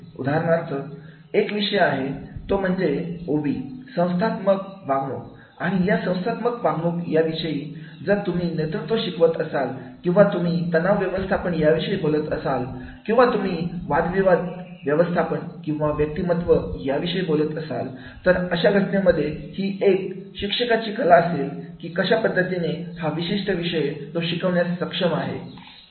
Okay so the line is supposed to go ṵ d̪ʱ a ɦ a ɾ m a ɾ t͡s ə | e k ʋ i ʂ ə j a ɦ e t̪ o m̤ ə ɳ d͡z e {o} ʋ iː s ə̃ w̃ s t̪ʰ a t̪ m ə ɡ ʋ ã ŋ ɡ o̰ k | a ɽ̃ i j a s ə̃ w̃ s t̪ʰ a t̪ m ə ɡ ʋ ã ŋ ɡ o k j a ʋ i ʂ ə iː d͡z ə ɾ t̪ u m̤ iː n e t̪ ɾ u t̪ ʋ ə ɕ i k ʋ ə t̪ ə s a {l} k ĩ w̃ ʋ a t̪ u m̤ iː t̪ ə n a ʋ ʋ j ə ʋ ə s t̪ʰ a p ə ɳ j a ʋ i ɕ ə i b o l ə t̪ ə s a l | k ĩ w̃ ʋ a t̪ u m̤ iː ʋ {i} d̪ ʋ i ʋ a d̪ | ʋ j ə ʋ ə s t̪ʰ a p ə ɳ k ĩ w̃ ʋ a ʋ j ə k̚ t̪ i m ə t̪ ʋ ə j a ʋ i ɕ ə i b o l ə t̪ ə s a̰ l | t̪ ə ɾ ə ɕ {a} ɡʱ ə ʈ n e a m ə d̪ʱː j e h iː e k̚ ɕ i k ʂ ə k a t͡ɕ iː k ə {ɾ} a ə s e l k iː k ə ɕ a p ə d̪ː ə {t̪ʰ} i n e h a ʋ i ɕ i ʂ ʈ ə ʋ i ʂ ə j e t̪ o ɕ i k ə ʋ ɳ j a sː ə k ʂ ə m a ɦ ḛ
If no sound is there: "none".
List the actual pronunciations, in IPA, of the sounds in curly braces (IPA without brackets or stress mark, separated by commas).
o, l, a, a, l, t̪